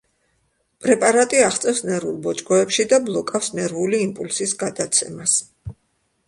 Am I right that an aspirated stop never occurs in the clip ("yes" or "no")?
yes